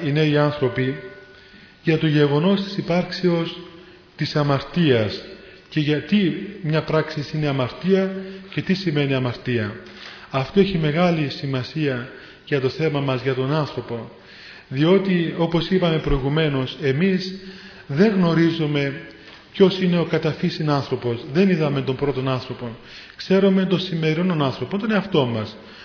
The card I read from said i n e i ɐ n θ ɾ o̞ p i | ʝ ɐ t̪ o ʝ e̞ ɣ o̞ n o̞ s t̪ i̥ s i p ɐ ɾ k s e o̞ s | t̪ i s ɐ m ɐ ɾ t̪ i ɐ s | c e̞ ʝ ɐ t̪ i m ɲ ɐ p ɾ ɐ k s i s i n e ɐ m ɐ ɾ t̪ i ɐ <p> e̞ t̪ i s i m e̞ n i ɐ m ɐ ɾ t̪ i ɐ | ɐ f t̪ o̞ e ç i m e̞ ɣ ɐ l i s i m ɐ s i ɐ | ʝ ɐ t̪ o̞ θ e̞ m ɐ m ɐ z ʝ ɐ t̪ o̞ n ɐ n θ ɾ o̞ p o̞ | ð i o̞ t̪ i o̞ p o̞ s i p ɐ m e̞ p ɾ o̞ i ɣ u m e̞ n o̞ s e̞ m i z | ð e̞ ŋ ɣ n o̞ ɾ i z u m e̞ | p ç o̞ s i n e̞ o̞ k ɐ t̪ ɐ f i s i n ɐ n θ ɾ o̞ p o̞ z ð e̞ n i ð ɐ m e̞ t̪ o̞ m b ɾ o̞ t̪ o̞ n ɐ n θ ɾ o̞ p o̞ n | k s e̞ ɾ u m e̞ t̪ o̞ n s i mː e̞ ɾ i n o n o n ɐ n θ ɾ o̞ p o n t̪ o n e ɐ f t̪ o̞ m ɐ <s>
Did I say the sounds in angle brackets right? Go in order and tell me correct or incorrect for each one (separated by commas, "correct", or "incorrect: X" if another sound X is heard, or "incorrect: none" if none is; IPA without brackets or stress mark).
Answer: incorrect: c, correct